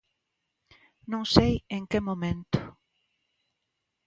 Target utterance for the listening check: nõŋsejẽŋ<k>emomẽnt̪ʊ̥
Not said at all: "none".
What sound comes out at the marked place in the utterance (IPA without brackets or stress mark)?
k